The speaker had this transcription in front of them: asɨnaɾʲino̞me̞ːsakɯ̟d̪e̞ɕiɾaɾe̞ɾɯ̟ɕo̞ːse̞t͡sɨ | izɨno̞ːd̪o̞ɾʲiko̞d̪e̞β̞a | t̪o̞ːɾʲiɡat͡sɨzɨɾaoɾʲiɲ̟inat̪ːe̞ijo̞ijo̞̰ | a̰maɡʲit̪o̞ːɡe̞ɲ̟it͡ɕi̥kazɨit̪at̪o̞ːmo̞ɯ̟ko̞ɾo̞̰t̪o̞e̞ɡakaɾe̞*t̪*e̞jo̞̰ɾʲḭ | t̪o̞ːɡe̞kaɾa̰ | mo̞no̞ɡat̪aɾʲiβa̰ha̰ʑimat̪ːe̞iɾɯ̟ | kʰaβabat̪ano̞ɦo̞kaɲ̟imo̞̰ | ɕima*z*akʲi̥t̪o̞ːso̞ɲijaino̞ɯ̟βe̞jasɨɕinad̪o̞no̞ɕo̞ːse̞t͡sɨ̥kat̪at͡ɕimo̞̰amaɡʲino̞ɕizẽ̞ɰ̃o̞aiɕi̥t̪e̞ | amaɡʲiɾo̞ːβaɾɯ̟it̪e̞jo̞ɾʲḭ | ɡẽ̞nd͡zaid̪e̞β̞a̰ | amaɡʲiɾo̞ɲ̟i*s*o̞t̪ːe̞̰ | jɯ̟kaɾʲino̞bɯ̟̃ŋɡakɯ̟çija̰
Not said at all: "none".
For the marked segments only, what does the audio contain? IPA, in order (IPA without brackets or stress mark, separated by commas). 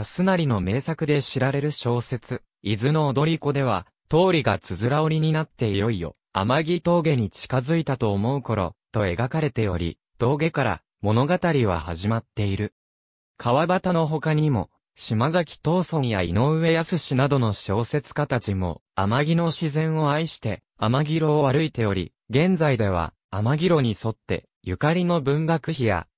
t̪, z, s